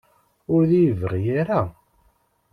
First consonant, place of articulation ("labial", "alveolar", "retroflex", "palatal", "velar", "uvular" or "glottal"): alveolar